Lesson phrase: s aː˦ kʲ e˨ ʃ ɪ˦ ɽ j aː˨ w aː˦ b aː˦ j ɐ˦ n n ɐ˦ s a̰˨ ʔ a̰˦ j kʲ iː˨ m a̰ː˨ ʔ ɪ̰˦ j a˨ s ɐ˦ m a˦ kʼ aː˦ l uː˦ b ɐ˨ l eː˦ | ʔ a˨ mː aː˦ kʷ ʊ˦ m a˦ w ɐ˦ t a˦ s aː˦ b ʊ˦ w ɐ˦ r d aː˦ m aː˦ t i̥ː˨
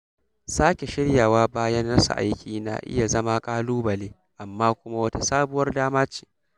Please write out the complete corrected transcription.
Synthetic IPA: s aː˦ kʲ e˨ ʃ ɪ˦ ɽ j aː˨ w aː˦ b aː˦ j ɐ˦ n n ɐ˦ s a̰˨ ʔ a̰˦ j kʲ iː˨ n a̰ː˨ ʔ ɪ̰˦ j a˨ z ɐ˦ m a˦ kʼ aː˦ l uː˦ b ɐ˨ l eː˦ | ʔ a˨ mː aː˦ kʷ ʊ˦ m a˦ w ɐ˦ t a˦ s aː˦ b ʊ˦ w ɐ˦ r d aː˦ m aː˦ t͡ʃ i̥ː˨